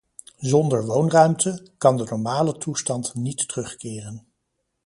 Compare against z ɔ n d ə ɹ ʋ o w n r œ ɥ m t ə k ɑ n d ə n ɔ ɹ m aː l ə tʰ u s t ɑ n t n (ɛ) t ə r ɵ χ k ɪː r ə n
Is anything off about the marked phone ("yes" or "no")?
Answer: yes